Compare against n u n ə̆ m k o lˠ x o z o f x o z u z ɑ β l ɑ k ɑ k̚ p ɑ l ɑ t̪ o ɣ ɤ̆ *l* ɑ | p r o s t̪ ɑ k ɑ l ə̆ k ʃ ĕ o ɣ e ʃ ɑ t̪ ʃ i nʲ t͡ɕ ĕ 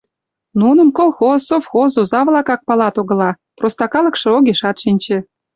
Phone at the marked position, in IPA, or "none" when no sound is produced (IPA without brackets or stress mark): l